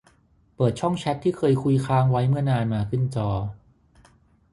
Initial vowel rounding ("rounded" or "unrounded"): unrounded